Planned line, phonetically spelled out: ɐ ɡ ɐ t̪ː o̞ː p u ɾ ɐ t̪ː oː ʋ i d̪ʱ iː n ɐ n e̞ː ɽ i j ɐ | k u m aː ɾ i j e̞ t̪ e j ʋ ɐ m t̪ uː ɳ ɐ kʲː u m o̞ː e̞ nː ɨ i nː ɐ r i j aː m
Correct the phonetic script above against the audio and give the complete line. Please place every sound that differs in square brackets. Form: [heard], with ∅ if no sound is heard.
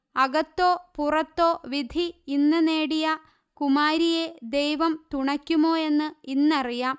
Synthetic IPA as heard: ɐ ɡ ɐ t̪ː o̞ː p u [r] ɐ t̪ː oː ʋ i d̪ʱ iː [nː] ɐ n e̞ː ɽ i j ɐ | k u m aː ɾ i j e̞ [d̪] e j ʋ ɐ m t̪ [u] ɳ ɐ kʲː u m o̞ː e̞ nː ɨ i nː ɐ r i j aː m